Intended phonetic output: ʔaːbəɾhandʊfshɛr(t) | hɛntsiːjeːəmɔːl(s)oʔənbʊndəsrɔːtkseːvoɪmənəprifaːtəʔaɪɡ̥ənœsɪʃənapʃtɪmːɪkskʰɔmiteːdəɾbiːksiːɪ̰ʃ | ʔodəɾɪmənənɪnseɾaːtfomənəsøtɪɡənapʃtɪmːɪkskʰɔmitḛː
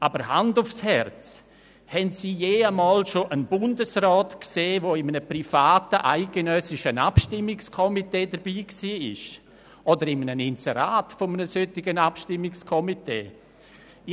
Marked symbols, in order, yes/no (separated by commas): no, no